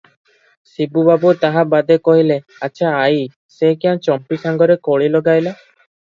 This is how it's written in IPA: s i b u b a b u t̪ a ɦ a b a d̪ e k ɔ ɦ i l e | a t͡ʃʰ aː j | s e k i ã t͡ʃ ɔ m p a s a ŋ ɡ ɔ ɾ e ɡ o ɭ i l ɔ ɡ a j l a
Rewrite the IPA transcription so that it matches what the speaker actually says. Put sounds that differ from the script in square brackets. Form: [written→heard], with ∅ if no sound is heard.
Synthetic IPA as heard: s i b u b a b u t̪ a ɦ a b a d̪ e k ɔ ɦ i l e | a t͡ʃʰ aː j | s e k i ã t͡ʃ ɔ m p [a→i] s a ŋ ɡ ɔ ɾ e [ɡ→k] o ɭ i l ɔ ɡ a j l a